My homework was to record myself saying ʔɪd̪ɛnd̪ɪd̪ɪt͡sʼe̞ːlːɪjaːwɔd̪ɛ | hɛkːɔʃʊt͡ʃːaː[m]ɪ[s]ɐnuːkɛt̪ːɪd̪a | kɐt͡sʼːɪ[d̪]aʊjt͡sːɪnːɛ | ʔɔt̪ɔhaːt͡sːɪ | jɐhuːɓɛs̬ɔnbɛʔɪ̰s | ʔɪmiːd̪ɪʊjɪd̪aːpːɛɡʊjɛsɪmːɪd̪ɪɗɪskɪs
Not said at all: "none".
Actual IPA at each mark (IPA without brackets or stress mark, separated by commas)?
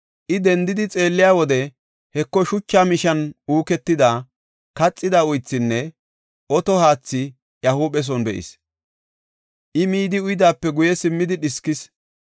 m, ʃ, d̪